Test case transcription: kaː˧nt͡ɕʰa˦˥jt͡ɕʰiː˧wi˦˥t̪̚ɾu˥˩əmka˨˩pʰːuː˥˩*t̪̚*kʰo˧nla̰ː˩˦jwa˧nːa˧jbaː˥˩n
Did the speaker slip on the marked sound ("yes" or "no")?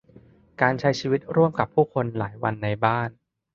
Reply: yes